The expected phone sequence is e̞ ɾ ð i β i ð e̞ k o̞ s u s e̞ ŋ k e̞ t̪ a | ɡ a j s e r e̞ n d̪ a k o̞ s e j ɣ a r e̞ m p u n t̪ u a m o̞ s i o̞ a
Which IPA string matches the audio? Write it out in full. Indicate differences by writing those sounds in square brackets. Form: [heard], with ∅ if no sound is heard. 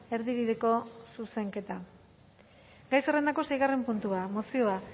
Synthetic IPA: e̞ ɾ ð i β i ð e̞ k o̞ s u s e̞ ŋ k e̞ t̪ a | ɡ a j s e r e̞ n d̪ a k o̞ s e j ɣ a r e̞ m p u n t̪ u a m o̞ s i o̞ a